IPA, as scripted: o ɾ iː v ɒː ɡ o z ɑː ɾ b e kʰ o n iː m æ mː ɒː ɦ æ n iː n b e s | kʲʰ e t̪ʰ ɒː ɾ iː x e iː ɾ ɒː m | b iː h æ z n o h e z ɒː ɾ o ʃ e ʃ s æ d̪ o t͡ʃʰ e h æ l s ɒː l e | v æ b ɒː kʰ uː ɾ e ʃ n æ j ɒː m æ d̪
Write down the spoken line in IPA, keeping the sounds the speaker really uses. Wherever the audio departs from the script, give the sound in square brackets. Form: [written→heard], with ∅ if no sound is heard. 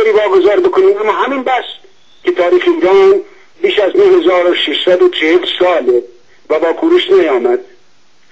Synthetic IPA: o ɾ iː v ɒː ɡ o z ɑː ɾ b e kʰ o n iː m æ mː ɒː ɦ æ [n→m] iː n b [e→æ] s | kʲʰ e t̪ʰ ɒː ɾ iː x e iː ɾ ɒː [m→n] | b iː [h→ʃ] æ z n o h e z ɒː ɾ o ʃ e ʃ s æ d̪ o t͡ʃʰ e h [æ→e] l s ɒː l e | v æ b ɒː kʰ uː ɾ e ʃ n æ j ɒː m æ d̪

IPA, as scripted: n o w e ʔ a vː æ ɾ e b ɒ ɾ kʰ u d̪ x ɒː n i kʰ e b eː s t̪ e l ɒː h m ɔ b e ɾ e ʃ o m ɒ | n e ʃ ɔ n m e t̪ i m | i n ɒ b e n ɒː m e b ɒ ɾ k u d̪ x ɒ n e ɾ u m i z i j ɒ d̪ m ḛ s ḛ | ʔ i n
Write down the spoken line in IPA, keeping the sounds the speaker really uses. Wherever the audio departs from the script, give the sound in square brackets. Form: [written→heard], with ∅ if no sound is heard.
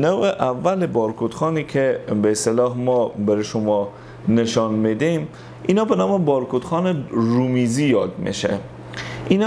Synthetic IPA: n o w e ʔ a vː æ [ɾ→l] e b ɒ ɾ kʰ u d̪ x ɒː n i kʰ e b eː s t̪ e l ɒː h m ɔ b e ɾ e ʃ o m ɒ | n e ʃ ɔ n m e [t̪→d̪] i m | i n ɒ b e n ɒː m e b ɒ ɾ k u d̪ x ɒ n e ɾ u m i z i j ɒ d̪ m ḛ [s→ʃ] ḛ | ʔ i n

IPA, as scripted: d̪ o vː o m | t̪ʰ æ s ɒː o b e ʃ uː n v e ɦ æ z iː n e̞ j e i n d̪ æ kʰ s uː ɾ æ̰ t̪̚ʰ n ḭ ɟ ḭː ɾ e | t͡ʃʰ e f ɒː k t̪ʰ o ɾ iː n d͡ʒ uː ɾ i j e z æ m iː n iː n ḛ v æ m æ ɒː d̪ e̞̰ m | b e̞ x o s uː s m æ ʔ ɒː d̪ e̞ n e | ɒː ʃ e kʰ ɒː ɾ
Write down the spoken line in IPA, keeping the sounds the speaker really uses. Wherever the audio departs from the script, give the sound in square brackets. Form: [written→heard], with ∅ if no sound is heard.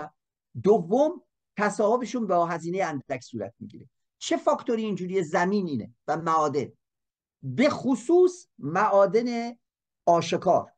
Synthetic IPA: d̪ o vː o m | t̪ʰ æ s ɒː o b e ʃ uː n [v→b] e ɦ æ z iː n e̞ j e [i→æ] n d̪ æ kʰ s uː ɾ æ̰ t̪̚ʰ [n→m] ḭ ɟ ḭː ɾ e | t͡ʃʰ e f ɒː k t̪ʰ o ɾ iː n d͡ʒ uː ɾ i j e z æ m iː n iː n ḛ v æ m æ ɒː d̪ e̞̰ [m→n] | b e̞ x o s uː s m æ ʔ ɒː d̪ e̞ n e | ɒː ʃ e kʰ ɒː ɾ

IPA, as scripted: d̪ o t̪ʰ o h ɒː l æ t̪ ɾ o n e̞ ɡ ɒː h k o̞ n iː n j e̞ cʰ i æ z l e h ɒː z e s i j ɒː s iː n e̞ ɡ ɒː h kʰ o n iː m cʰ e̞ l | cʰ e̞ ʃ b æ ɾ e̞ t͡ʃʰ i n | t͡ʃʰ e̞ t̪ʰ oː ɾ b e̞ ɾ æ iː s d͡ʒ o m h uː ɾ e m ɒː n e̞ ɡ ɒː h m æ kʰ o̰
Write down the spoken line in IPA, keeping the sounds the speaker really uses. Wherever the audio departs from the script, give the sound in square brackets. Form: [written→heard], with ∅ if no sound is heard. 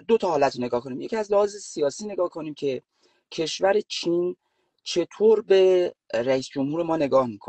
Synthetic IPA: d̪ o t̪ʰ [o→ɒ] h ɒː l æ t̪ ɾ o n e̞ ɡ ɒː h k o̞ n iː [n→m] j e̞ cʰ i æ z l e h ɒː z e s i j ɒː s iː n e̞ ɡ ɒː h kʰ o n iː m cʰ e̞ [l→∅] | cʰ e̞ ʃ [b→v] æ ɾ e̞ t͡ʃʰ i n | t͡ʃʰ e̞ t̪ʰ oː ɾ b e̞ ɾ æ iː s d͡ʒ o m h uː ɾ e m ɒː n e̞ ɡ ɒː h m [æ→i] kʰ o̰

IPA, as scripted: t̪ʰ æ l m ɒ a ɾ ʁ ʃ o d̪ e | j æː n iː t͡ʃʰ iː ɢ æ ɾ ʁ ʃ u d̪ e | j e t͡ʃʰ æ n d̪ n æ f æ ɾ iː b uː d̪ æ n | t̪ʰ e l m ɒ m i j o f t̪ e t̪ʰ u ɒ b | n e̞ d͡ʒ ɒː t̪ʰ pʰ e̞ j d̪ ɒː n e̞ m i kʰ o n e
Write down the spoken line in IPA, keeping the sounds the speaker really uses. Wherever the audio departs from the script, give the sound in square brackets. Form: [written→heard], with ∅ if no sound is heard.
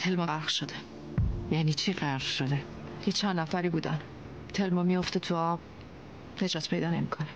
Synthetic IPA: t̪ʰ [æ→e] l m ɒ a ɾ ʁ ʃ o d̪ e | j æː n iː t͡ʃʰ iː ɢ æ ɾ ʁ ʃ [u→o] d̪ e | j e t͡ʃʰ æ n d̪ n æ f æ ɾ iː b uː d̪ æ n | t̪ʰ e l m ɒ m i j o f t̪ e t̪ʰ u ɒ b | n e̞ d͡ʒ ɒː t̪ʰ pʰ e̞ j d̪ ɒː n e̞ m i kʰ o n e

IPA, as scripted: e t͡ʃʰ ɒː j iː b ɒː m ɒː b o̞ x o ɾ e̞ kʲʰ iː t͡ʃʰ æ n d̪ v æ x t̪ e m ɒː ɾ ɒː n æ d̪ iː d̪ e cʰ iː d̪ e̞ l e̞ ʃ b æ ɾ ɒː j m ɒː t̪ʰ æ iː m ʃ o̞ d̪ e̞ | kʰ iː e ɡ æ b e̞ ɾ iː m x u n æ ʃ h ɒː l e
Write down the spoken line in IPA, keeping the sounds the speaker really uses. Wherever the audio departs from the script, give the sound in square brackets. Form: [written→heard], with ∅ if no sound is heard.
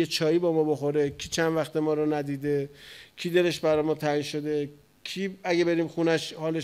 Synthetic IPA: e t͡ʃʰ ɒː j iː b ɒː m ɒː b o̞ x o ɾ e̞ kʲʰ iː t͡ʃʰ æ n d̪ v æ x t̪ e m ɒː ɾ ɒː n æ d̪ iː d̪ e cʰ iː d̪ e̞ l e̞ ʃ b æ ɾ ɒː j m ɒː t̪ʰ æ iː [m→n] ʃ o̞ d̪ e̞ | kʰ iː [e→æ] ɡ [æ→e] b e̞ ɾ iː m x u n æ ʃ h ɒː l e

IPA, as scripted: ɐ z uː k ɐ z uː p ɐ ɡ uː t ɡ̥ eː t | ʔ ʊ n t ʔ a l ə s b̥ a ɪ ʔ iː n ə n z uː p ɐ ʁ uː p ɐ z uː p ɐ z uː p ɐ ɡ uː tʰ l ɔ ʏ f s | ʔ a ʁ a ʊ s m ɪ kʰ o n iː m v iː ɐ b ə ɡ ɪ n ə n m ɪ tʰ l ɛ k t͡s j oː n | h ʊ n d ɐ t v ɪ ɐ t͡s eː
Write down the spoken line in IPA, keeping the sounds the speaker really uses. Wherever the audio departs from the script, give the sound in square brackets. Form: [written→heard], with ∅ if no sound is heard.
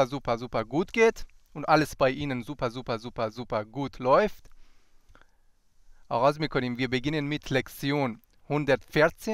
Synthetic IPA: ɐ z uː [k→p] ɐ z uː p ɐ ɡ uː t ɡ̥ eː t | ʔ ʊ n t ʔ a l ə s b̥ a ɪ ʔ iː n ə n z uː p ɐ [ʁ→z] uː p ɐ z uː p ɐ z uː p ɐ ɡ uː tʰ l ɔ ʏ f [s→t] | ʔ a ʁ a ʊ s m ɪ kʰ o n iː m v iː ɐ b ə ɡ ɪ n ə n m ɪ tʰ l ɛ k t͡s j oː n | h ʊ n d ɐ t [v→f] ɪ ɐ t͡s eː

